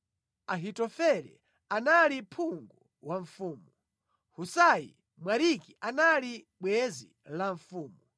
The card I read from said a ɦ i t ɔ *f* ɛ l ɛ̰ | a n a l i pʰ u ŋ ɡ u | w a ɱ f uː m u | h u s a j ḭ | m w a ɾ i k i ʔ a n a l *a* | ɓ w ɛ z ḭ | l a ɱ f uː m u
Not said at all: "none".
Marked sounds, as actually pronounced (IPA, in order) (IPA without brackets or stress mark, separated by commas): f, i